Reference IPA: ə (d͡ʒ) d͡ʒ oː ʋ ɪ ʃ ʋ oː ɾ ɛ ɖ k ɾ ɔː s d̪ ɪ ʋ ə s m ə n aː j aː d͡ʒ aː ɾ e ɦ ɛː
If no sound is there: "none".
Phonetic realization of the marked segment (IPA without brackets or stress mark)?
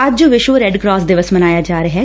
d͡ʒ